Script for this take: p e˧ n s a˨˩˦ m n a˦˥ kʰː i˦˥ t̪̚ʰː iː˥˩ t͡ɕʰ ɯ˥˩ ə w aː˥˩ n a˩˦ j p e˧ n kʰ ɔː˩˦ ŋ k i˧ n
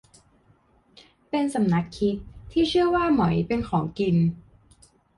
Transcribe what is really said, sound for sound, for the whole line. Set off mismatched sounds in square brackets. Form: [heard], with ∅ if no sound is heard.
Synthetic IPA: p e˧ n s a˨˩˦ m n a˦˥ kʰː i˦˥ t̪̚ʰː iː˥˩ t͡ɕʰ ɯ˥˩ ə w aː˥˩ [m] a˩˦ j p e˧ n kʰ ɔː˩˦ ŋ k i˧ n